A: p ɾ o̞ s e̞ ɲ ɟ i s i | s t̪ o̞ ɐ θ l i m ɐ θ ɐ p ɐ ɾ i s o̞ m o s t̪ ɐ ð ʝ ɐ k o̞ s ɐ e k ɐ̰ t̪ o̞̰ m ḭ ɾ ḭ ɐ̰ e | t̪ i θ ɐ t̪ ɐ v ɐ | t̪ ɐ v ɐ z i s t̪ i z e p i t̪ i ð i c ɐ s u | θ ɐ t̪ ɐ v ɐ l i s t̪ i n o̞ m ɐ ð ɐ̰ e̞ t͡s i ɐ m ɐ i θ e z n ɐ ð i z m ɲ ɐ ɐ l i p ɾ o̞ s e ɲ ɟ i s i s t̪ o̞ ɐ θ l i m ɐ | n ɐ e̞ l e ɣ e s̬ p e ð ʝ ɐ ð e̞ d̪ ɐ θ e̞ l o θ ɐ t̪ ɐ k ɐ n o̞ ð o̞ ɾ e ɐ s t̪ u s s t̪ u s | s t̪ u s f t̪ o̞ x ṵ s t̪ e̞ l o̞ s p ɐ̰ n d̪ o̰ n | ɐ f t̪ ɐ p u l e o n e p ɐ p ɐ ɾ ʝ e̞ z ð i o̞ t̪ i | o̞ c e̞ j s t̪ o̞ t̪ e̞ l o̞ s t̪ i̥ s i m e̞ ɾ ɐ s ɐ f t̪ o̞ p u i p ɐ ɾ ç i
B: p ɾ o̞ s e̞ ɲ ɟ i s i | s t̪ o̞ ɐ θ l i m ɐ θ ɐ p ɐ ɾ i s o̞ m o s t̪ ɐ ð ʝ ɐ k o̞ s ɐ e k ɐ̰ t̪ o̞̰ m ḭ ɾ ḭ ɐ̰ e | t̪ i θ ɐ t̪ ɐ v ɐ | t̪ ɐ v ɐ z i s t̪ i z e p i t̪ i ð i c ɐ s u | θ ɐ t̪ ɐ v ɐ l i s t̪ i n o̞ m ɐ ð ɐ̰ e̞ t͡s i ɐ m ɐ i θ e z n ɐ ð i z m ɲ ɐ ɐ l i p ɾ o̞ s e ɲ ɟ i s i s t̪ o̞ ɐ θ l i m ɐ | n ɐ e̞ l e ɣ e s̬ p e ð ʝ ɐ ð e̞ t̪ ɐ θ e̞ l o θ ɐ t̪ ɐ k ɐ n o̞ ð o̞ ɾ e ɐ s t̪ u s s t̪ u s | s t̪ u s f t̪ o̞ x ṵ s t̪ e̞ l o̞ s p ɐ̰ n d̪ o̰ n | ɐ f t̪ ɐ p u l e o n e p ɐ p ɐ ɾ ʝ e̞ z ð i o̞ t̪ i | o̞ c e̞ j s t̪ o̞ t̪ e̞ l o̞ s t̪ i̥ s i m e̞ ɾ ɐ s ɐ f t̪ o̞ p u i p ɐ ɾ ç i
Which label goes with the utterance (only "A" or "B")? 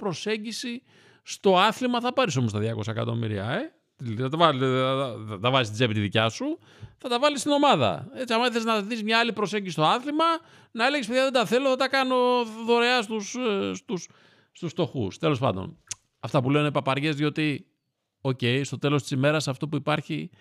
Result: A